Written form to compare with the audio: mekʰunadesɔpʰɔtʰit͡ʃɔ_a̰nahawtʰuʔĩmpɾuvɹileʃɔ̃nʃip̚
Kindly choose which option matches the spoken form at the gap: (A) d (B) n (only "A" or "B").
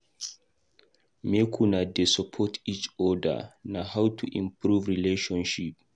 A